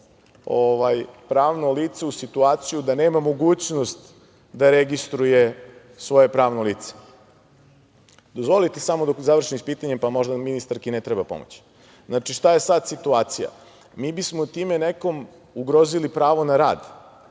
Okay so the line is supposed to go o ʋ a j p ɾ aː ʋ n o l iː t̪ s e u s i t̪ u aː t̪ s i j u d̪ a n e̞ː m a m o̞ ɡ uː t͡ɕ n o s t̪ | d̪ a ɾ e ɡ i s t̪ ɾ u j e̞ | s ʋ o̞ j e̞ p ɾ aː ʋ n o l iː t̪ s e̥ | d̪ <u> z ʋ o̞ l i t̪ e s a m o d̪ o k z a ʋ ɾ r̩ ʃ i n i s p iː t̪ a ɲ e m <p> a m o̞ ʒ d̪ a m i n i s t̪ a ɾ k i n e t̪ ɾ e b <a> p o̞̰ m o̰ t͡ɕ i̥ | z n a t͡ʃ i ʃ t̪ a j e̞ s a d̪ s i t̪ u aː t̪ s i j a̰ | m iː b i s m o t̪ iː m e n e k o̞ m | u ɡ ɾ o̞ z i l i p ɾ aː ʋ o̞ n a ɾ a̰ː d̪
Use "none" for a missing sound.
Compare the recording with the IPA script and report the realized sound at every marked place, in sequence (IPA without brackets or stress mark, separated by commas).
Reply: o, p, a